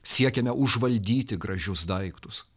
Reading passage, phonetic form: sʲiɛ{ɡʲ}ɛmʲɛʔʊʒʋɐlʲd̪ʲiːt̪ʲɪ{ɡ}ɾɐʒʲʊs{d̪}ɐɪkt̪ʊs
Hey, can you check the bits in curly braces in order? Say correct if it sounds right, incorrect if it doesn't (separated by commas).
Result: incorrect, correct, correct